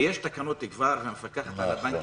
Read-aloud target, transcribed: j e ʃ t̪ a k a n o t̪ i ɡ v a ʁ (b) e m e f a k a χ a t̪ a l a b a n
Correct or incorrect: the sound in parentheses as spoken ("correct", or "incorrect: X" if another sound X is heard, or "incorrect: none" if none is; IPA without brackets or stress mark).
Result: incorrect: v